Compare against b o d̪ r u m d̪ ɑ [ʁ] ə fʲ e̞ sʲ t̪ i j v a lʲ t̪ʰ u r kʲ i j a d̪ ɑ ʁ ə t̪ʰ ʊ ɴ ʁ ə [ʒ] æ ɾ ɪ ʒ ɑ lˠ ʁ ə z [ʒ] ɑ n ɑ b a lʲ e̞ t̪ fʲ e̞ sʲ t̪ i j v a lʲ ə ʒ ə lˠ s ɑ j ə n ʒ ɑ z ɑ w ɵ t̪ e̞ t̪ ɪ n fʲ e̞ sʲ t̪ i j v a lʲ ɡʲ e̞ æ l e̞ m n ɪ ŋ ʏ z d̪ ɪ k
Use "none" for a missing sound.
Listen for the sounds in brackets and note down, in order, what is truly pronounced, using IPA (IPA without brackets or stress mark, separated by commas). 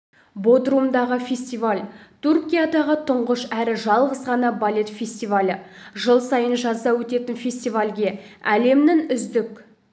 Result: ʁ, ʃ, ʁ